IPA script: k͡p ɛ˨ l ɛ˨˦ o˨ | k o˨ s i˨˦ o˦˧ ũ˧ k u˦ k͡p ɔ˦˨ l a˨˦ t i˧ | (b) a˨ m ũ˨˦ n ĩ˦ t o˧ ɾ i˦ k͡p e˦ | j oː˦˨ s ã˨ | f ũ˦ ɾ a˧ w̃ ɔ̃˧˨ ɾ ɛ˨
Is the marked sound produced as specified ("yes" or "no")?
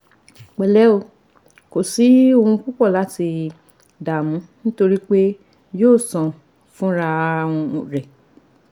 no